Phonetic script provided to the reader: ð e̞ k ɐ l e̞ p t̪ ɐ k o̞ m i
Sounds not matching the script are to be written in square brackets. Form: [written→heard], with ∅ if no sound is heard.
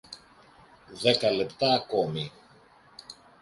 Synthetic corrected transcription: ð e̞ k ɐ l e̞ p t̪ [ɐ→ɐː] k o̞ m i